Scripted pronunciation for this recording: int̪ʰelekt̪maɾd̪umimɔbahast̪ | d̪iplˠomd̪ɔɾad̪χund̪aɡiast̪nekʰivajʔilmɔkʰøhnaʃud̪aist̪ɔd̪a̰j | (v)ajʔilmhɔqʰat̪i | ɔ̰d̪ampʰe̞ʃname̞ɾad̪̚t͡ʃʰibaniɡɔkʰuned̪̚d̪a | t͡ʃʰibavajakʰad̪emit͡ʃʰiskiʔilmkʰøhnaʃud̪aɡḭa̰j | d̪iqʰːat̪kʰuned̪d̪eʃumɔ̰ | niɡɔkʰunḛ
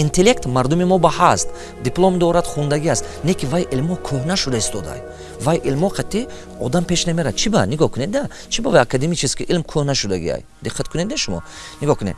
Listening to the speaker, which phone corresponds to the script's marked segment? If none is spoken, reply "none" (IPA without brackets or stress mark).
v